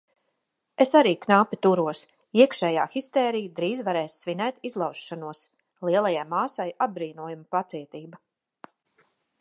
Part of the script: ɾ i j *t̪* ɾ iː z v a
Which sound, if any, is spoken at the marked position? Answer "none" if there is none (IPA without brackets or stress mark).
d̪